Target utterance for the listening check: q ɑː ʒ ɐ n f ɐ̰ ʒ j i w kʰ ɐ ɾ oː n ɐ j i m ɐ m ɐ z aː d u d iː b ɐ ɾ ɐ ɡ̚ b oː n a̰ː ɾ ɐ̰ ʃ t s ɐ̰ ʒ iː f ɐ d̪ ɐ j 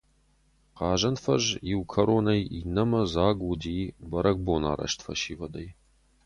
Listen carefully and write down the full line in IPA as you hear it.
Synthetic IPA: q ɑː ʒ ɐ n f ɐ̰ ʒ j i w kʰ ɐ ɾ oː n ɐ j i n ɐ m ɐ z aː ɡ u d iː b ɐ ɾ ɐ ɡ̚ b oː n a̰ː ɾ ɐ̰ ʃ t f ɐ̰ ʃ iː v ɐ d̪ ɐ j